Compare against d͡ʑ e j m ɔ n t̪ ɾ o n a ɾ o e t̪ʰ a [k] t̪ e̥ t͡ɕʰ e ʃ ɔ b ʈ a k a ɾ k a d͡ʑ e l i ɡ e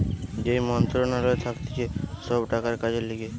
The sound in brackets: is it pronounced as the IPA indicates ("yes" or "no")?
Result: yes